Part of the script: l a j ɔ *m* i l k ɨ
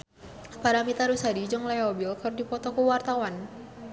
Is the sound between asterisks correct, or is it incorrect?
incorrect